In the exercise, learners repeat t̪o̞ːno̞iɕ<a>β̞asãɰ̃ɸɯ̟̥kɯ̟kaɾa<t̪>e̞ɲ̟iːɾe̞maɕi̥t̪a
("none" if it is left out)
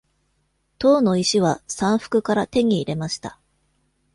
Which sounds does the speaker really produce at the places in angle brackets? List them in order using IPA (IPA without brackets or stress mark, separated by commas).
i, t̪